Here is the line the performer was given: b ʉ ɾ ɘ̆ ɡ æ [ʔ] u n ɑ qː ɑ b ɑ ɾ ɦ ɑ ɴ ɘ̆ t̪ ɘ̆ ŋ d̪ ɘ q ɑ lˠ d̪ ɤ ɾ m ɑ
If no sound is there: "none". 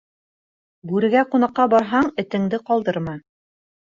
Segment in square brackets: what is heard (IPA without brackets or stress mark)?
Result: q